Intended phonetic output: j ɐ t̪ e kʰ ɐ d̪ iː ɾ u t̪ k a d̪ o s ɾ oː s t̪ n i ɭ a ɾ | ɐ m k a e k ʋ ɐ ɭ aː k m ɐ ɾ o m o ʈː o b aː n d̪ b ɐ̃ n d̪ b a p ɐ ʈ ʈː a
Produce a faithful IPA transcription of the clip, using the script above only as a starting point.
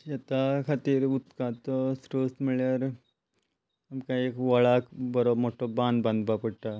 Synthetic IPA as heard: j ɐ t̪ a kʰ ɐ t̪ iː ɾ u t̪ k a t̪ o s ɾ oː s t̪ m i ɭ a ɾ | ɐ m k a e k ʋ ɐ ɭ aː k b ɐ ɾ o m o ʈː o b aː n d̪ b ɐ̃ n d̪ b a p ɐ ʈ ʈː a